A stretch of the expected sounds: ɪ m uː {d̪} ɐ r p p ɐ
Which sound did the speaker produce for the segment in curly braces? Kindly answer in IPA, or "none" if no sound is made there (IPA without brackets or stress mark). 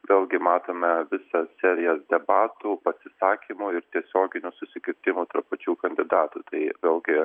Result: t̪